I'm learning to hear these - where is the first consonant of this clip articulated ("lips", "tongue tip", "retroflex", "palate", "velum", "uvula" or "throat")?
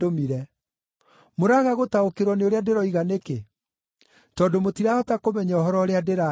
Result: lips